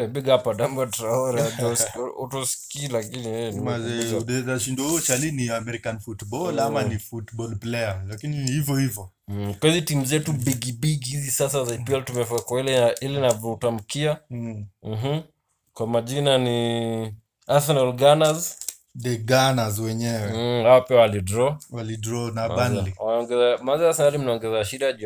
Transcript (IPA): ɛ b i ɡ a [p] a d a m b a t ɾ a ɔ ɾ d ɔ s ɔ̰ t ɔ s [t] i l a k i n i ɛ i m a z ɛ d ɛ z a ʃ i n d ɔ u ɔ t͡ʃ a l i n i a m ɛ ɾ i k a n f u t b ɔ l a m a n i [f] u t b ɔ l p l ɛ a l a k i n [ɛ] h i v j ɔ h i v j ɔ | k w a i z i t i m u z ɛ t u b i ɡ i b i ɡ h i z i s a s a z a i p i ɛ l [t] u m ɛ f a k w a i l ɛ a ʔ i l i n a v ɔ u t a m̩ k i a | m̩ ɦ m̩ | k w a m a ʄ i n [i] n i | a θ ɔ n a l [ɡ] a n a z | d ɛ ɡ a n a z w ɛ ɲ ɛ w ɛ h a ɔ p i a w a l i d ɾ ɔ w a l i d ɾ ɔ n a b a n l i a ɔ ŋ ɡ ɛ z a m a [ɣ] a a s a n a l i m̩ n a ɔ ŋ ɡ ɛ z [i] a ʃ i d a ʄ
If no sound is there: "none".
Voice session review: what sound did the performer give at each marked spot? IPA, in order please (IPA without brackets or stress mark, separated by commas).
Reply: p, k, f, i, t, a, ɡ, z, a